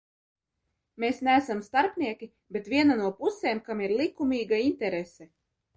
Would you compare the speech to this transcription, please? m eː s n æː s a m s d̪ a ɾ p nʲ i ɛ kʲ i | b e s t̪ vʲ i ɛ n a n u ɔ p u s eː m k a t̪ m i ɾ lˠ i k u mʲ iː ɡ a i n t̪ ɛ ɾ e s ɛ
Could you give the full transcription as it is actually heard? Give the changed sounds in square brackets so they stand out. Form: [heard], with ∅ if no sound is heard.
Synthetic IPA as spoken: m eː s n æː s a m s [t̪] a ɾ p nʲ i ɛ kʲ i | b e [∅] t̪ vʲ i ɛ n a n u ɔ p u s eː m k a [∅] m i ɾ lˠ i k u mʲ iː ɡ a i n t̪ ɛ ɾ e s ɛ